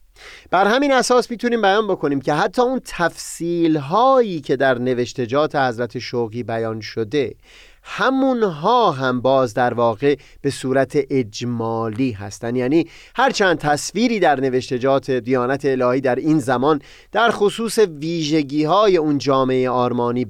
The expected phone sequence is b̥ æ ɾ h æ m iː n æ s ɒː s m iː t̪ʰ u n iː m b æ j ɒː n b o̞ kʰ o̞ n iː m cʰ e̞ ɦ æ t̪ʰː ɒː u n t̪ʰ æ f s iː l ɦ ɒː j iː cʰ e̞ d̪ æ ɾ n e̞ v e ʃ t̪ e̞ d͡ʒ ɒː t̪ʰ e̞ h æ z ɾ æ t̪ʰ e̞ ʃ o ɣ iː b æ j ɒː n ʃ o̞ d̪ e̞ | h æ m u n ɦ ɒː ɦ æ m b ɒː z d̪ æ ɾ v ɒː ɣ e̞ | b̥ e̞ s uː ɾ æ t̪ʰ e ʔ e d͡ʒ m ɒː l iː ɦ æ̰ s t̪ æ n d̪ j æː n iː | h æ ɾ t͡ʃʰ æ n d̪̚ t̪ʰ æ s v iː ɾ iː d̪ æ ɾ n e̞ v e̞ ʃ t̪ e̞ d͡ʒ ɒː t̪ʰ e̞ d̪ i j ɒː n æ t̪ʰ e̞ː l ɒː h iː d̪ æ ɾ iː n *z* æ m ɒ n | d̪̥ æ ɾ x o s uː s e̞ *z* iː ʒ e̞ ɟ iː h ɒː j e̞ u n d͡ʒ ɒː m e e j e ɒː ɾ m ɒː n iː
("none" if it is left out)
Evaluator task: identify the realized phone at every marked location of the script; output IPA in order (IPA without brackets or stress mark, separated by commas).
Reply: z, v